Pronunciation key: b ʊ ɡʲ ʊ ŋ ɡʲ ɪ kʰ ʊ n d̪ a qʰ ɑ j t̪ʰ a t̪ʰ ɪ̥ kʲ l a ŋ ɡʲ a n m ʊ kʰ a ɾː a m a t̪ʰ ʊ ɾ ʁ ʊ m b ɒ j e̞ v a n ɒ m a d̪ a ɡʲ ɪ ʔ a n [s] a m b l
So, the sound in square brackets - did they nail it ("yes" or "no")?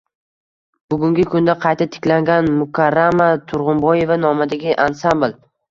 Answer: yes